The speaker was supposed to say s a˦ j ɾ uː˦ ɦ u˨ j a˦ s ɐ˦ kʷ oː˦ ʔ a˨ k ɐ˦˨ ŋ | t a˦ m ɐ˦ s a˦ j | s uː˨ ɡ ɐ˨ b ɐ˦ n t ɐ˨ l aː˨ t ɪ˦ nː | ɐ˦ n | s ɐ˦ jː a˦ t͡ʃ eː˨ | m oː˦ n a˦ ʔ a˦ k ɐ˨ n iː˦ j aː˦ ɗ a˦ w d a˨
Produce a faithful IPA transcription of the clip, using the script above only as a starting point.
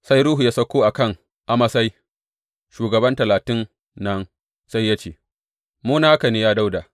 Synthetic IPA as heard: s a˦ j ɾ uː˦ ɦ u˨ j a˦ s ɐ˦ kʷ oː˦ ʔ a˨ k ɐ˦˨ ŋ | ʔ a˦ m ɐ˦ s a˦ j | ʃ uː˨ ɡ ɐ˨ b ɐ˦ n t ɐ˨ l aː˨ t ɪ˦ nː | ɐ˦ n | s a˦ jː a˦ t͡ʃ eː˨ | m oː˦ n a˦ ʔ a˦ k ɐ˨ n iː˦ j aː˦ d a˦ w d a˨